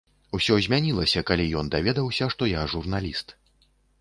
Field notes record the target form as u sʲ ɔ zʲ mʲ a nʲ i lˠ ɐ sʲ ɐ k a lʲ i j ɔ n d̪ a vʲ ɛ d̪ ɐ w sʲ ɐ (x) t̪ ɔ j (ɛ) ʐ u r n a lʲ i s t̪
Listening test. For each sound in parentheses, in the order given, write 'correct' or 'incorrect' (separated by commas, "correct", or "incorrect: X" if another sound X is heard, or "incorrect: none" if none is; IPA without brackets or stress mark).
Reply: incorrect: ʂ, incorrect: a